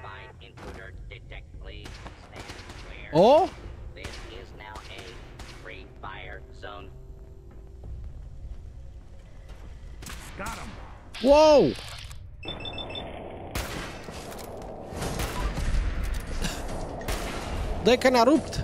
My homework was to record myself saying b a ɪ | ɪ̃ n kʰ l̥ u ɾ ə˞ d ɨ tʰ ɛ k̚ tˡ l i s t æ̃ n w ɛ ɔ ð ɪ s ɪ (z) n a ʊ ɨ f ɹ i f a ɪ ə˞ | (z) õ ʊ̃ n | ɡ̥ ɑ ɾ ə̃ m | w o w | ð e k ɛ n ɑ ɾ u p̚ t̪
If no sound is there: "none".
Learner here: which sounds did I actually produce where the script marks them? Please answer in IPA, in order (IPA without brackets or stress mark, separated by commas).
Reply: z, z